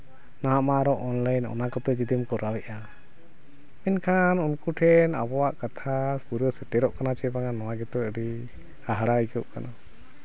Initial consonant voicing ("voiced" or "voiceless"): voiced